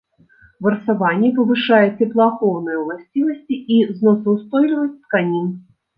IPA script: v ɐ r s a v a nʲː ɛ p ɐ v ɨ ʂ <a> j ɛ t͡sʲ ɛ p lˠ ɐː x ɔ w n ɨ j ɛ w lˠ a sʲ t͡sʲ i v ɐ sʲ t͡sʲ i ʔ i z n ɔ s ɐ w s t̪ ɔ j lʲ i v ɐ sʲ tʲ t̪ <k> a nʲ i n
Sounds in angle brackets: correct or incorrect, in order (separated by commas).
correct, correct